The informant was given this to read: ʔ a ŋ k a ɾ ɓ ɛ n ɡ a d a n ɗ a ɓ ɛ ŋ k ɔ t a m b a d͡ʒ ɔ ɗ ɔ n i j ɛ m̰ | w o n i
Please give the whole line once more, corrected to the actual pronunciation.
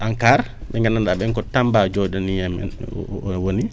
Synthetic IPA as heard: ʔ a ŋ k a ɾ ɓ ɛ ŋ ɡ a n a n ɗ a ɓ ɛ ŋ k ɔ t a m b a d͡ʒ ɔ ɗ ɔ n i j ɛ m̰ | w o n i